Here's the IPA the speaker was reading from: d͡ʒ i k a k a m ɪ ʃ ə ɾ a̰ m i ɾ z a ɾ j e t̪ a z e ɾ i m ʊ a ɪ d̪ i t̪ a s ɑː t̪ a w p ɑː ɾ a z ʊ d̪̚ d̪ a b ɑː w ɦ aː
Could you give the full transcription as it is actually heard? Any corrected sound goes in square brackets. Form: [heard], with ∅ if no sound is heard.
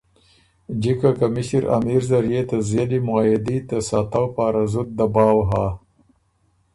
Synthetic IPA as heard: d͡ʒ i k a k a m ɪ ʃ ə ɾ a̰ m i ɾ z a ɾ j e t̪ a z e [l] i m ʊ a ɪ d̪ i t̪ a s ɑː t̪ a w p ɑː ɾ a z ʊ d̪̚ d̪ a b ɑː w ɦ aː

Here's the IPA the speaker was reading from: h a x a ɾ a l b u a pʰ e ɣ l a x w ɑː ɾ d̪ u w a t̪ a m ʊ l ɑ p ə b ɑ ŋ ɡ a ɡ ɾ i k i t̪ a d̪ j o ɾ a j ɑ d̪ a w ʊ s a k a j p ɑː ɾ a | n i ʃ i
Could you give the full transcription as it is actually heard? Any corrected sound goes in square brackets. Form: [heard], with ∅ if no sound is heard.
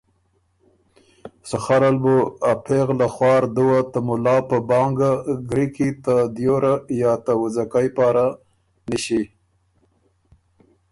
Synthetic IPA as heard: [s] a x a ɾ a l b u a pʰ e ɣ l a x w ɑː ɾ d̪ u w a t̪ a m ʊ l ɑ p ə b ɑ ŋ ɡ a ɡ ɾ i k i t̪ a d̪ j o ɾ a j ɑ [t̪] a w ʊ [z] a k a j p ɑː ɾ a | n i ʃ i

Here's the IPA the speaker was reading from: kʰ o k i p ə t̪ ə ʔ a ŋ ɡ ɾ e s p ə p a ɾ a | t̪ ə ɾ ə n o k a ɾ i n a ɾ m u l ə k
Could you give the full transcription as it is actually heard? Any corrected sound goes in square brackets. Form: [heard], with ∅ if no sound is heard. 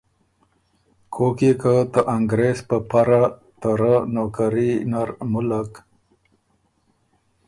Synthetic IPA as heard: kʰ o k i [k] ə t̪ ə ʔ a ŋ ɡ ɾ e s p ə p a ɾ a | t̪ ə ɾ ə n o k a ɾ i n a ɾ m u l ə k

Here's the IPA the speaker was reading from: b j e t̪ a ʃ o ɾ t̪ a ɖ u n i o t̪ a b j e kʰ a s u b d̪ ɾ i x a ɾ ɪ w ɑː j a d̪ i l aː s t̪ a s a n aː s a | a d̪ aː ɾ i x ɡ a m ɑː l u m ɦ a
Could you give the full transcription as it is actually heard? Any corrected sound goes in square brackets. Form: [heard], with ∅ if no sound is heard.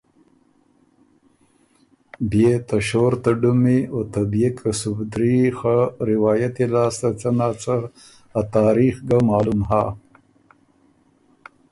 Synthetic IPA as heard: b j e t̪ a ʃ o ɾ t̪ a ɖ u [m] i o t̪ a b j e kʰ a s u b d̪ ɾ i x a ɾ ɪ w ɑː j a [t̪] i l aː s t̪ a [t͡s] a n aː [t͡s] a | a [t̪] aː ɾ i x ɡ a m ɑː l u m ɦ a

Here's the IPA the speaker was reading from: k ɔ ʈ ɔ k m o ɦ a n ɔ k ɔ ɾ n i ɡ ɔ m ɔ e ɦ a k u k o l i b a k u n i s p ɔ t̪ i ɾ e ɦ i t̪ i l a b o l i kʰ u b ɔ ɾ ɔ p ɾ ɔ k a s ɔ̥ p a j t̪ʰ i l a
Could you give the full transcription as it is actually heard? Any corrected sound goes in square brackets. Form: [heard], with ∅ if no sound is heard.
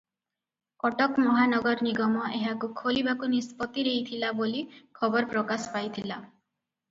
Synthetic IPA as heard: k ɔ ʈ ɔ k m [ɔ] ɦ a n ɔ [ɡ] ɔ ɾ n i ɡ ɔ m ɔ e ɦ a k u [kʰ] o l i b a k u n i s p ɔ t̪ i ɾ e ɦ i [t̪ʰ] i l a b o l i kʰ [ɔ] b ɔ ɾ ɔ p ɾ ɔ k a s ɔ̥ p a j t̪ʰ i l a

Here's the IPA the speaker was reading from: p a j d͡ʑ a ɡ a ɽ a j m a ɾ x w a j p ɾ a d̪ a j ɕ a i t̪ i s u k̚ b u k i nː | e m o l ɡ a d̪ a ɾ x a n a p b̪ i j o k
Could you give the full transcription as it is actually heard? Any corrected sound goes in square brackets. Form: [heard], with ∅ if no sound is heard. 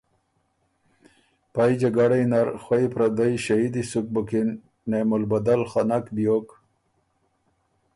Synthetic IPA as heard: p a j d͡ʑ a ɡ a ɽ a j [n] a ɾ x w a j p ɾ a d̪ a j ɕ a i [d̪] i s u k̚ b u k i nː | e m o l [b] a d̪ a [l] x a n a [k] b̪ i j o k

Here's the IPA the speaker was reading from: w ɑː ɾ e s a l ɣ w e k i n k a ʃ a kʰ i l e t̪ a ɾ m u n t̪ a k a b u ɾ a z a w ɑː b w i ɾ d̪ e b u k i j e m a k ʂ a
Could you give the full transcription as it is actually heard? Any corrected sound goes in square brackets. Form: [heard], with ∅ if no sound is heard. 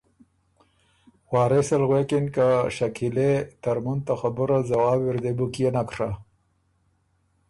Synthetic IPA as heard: w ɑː ɾ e s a l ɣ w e k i n k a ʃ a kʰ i l e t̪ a ɾ m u n t̪ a [x] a b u ɾ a z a w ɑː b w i ɾ d̪ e b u k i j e [n] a k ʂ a

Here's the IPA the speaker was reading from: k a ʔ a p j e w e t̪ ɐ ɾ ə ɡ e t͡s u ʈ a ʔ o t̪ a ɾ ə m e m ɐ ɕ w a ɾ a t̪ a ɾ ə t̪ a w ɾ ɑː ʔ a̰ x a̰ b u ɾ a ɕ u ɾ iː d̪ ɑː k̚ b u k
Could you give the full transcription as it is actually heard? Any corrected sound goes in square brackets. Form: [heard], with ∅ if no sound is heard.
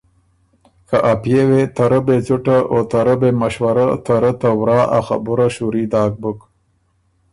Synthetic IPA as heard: k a ʔ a p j e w e t̪ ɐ ɾ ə [b] e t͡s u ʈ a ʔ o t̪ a ɾ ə [b] e m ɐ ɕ w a ɾ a t̪ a ɾ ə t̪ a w ɾ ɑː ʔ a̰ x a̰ b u ɾ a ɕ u ɾ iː d̪ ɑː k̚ b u k

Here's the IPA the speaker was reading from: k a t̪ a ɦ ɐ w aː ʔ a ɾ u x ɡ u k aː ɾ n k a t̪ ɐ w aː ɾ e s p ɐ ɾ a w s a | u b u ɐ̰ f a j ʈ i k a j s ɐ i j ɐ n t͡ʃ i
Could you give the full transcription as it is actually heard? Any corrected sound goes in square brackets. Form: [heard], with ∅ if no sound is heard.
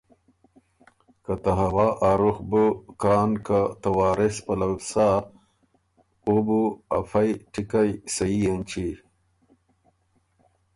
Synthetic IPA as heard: k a t̪ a ɦ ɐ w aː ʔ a ɾ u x [b] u k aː [∅] n k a t̪ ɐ w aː ɾ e s p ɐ [l] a w s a | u b u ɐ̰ f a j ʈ i k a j s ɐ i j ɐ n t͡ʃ i

